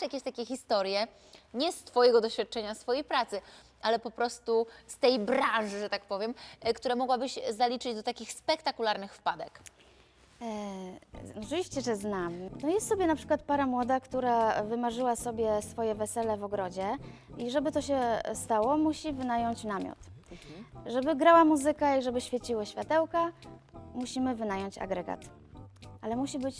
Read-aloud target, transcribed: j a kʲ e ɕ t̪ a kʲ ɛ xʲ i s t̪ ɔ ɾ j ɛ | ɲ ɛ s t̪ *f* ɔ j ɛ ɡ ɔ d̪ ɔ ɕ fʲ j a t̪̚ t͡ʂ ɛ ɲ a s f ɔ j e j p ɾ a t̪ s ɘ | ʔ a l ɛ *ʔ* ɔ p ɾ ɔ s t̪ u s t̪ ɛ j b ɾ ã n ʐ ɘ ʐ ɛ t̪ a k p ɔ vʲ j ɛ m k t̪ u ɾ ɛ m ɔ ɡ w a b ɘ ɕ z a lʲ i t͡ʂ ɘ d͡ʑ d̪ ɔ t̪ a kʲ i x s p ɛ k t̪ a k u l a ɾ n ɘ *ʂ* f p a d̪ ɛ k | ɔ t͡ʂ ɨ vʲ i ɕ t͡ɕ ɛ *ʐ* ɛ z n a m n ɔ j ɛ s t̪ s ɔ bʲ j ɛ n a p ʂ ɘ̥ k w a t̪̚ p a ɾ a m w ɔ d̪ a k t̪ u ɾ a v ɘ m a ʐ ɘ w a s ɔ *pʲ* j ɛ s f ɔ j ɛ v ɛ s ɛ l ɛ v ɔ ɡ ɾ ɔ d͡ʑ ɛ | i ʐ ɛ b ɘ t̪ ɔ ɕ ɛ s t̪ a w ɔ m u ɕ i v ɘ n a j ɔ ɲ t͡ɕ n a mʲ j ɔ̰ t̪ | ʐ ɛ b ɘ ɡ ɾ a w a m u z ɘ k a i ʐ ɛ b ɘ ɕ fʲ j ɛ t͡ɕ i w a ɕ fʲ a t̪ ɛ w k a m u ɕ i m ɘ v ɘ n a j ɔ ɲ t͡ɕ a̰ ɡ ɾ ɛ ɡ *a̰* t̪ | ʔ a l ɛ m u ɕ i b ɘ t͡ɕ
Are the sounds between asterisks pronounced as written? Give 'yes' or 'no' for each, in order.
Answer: yes, no, no, yes, no, yes

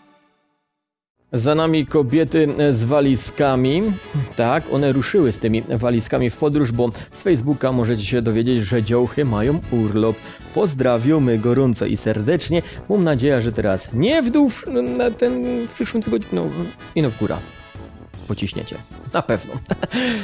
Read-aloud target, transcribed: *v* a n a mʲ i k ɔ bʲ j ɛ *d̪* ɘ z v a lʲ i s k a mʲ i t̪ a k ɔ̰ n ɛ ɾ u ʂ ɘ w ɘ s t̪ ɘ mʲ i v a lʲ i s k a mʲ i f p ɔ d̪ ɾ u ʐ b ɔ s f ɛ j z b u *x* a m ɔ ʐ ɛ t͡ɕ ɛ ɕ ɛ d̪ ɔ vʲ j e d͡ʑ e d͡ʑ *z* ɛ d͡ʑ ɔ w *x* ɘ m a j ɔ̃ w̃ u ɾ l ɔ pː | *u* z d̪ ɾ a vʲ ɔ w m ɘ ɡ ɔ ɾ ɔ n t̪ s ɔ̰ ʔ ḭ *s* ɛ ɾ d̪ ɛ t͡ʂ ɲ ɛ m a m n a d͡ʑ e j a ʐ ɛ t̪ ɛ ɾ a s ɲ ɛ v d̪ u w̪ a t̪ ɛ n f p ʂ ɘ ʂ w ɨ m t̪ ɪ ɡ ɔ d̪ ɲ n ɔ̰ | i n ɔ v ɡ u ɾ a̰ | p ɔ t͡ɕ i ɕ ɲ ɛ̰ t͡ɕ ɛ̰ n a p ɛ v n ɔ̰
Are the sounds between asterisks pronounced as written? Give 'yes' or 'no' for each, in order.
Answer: no, no, no, no, yes, no, yes

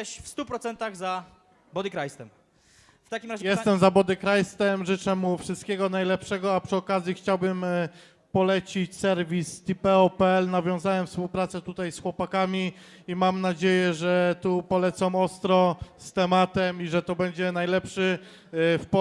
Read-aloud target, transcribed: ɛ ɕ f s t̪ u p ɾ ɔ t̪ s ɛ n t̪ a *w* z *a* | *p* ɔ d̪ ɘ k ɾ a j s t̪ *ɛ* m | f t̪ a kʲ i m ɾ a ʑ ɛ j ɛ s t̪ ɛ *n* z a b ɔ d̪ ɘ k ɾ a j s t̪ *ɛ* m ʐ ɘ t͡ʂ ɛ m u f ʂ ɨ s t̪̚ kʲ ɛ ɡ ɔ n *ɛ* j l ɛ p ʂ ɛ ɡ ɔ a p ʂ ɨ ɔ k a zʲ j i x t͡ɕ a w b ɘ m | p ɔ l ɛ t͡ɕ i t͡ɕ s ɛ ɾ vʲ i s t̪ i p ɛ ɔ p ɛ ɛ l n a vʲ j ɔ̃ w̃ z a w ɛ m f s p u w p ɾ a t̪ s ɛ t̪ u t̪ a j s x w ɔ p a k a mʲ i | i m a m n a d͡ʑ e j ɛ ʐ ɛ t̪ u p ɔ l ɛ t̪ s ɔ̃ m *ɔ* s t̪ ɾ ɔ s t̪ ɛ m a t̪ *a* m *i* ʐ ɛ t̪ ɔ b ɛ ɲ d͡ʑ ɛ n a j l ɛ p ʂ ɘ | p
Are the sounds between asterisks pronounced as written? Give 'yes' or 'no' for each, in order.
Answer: no, yes, no, yes, no, yes, no, yes, no, yes

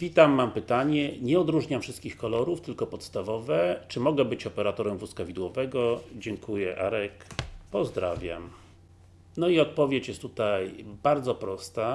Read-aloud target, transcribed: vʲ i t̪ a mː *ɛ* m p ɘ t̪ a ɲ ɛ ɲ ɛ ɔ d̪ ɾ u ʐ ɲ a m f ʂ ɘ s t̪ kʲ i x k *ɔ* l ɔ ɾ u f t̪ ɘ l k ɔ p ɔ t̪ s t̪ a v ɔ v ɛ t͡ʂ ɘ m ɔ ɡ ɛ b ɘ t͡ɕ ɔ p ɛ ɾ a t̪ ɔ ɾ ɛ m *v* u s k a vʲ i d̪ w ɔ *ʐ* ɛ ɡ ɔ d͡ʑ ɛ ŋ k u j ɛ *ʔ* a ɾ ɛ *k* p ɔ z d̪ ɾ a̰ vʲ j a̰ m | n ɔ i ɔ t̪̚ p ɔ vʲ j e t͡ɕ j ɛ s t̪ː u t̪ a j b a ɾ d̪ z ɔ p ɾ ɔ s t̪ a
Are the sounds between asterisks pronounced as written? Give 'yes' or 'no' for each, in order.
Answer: no, yes, yes, no, yes, yes

